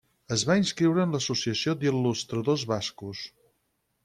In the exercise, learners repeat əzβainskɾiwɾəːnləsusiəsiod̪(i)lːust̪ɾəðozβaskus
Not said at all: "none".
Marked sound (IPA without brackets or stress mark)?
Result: i